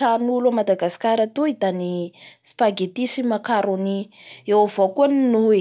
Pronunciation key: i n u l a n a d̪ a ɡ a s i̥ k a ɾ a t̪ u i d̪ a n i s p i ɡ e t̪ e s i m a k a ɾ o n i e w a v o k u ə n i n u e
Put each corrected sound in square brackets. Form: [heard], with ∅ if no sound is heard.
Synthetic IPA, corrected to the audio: [a] n u l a [m] a d̪ a ɡ a s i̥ k a ɾ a t̪ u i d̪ a n i s p [a] ɡ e t̪ [i] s i m a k a ɾ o n i e w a v o k u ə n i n u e

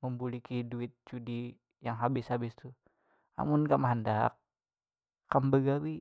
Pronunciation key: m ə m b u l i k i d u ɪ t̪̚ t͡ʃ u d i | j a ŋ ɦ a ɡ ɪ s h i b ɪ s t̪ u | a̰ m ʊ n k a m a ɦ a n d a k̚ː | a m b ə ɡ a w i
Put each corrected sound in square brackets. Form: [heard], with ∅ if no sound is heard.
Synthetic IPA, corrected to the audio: m ə m b u l i k i d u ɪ t̪̚ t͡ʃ u d i | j a ŋ ɦ a [b] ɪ s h [a] b ɪ s t̪ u | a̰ m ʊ n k a m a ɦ a n d a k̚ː | a m b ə ɡ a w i

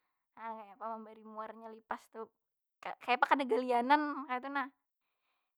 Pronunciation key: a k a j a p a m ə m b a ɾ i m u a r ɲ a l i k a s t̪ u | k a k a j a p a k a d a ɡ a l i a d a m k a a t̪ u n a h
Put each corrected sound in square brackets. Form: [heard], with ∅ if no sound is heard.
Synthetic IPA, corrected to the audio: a k a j a p a m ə m b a ɾ i m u a r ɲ a l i [p] a s t̪ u | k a k a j a p a k a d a ɡ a l i a [n] a [n] k a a t̪ u n a h

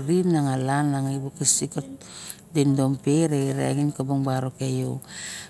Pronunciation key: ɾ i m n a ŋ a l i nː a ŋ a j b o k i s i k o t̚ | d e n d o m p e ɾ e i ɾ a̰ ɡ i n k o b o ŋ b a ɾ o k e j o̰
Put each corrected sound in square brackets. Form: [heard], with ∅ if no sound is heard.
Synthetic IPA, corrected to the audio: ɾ i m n a ŋ a l [a] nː a ŋ a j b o k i s i k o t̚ | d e n d o m p e ɾ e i ɾ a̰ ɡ i n k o b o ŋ b a ɾ o k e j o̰

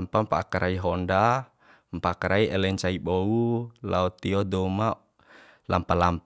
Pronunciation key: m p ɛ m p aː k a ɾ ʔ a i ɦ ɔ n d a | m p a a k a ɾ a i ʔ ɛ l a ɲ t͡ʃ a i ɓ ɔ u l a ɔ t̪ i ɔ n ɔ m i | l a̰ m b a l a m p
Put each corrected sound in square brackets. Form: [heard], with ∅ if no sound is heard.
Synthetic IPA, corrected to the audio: m p [a] m p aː k a ɾ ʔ a i ɦ ɔ n d a | m p a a k a ɾ a i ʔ ɛ l [ɛ] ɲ t͡ʃ a i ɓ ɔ u l a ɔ t̪ i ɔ [d] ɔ m [a] | l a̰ m [p] a l a m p

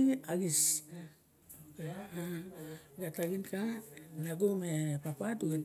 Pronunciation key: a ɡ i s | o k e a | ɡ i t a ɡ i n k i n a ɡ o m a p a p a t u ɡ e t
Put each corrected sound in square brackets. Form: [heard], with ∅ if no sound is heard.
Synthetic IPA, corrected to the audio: a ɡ i s | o k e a | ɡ [a] t a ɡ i n k [a] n a ɡ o m [e] p a p a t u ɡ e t

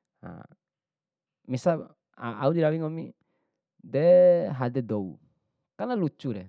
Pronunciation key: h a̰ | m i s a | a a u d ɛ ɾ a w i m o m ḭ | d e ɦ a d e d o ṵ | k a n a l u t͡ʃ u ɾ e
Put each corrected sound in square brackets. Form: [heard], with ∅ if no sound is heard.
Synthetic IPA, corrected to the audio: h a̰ | m i s a | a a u d [i] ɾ a w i [ŋ] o m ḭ | d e ɦ a d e d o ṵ | k a n a l u t͡ʃ u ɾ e

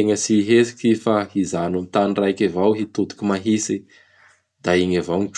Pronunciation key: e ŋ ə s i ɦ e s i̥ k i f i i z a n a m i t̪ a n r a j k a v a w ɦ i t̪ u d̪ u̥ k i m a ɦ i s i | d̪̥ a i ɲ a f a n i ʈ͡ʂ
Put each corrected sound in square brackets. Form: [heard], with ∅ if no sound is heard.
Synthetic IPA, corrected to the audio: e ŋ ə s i ɦ e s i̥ k i f [a] i z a n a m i t̪ a n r a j k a v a w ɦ i t̪ u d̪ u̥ k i m a ɦ i s i | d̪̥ a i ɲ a [v] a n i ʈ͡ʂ

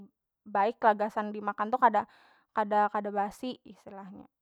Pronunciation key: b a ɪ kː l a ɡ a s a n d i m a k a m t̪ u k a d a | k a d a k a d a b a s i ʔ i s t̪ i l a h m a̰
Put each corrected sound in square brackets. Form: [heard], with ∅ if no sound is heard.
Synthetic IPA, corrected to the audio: b a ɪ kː l a ɡ a s a n d i m a k a [n] t̪ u k a d a | k a d a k a d a b a s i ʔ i s t̪ i l a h [ɲ] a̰

